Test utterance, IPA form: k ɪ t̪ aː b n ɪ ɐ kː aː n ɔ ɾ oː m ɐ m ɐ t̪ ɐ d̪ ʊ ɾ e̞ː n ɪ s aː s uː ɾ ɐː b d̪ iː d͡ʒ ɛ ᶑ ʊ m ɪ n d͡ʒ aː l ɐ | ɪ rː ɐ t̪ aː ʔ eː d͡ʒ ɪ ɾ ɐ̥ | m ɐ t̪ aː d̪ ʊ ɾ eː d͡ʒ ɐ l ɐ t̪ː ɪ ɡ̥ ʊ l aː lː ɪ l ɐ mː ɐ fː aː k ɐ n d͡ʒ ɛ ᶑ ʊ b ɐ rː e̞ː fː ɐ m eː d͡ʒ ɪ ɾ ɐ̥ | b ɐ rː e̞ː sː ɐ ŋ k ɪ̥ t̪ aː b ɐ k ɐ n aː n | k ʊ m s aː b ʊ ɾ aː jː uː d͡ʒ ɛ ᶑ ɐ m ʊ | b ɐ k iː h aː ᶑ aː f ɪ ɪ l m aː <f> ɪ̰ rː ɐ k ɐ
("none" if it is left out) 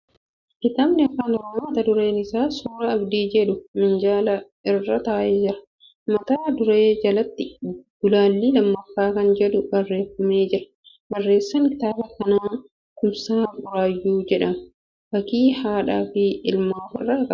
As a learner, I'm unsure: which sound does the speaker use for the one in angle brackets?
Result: f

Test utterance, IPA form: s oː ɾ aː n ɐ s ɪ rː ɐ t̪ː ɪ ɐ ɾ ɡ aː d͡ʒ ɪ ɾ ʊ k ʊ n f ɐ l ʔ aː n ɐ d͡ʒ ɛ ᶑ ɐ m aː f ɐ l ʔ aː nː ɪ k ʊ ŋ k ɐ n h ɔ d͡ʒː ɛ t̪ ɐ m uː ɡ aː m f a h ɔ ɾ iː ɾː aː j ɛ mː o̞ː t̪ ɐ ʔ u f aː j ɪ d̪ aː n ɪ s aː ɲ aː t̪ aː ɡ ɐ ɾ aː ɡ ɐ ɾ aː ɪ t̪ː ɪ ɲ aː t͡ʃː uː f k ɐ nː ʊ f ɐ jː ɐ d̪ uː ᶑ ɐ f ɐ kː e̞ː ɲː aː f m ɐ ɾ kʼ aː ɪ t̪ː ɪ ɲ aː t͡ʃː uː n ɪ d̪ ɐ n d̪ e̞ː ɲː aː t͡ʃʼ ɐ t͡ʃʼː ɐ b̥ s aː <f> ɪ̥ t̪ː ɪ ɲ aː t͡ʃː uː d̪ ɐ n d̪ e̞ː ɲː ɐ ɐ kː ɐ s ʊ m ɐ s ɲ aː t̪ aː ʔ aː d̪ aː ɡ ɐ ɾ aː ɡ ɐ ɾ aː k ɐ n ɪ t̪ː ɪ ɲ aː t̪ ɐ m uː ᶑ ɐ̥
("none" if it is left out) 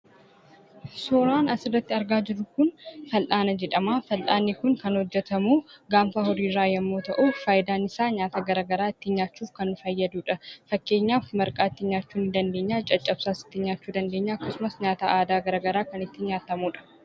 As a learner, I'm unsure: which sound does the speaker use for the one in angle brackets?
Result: s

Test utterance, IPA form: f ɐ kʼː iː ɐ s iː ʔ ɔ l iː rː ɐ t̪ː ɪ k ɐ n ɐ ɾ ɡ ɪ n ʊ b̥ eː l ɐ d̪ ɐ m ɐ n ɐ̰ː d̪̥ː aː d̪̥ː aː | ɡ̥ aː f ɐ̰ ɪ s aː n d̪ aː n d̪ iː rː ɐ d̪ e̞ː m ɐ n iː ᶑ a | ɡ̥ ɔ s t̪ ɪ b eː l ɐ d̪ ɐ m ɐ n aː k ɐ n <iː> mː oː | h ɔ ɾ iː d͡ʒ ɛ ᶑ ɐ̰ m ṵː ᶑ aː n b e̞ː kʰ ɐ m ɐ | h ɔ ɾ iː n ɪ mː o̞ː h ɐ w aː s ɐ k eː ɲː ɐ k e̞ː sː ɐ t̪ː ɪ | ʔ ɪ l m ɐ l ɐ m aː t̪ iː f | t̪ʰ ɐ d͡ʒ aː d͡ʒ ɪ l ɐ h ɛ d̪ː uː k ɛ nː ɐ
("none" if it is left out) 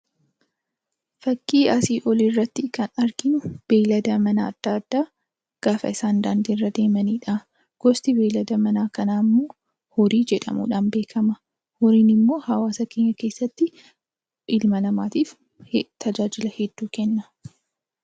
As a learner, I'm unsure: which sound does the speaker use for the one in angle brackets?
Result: aː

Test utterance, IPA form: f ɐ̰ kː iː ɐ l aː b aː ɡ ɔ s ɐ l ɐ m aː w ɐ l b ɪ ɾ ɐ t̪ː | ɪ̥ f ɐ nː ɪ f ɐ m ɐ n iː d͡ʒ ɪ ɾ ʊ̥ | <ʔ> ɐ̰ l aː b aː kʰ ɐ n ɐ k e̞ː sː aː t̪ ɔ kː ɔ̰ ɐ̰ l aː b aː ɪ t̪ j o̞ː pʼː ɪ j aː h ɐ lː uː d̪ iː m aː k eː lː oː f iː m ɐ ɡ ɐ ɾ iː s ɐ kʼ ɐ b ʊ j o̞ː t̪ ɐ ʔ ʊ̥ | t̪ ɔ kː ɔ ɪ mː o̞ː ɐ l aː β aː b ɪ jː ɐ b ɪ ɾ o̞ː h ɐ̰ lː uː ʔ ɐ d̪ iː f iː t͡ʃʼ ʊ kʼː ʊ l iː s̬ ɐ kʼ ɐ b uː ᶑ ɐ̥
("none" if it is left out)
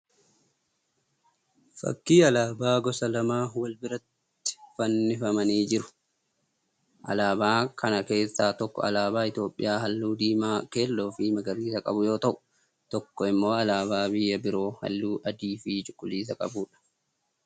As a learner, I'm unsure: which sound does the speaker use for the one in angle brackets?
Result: ʔ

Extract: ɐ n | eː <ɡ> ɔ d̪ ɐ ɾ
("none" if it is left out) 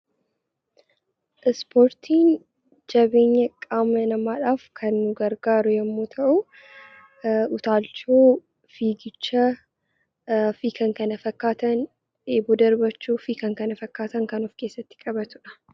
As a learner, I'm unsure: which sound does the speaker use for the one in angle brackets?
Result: b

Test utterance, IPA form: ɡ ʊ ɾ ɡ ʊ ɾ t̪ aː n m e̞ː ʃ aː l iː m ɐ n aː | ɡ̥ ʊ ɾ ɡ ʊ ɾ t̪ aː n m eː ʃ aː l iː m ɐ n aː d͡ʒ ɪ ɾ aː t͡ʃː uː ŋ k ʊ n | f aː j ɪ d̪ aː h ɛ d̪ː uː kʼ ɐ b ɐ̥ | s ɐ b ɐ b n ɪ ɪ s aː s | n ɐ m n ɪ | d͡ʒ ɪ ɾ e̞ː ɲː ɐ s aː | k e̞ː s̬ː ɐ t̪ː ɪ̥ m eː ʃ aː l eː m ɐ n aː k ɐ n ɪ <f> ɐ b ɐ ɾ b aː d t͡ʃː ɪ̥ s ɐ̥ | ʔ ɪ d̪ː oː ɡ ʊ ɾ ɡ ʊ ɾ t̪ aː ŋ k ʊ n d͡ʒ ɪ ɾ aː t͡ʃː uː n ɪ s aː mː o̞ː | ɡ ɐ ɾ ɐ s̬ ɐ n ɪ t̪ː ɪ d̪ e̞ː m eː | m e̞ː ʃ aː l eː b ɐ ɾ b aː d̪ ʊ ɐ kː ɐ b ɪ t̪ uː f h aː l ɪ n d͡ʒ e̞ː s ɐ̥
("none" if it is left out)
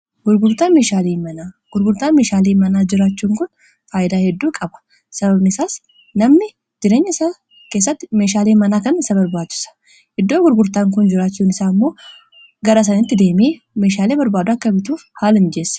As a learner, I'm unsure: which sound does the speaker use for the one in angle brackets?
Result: s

